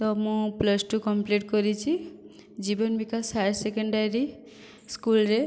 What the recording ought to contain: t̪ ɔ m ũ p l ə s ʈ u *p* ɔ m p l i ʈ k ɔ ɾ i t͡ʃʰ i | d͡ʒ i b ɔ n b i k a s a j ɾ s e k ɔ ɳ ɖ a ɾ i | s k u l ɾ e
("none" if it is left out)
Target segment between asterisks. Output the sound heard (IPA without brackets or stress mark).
k